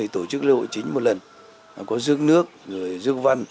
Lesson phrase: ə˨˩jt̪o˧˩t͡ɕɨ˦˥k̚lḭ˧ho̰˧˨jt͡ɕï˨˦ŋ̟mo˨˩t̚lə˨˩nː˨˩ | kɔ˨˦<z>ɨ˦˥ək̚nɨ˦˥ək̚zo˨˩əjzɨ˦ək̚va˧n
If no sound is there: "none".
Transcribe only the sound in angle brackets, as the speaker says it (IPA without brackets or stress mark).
z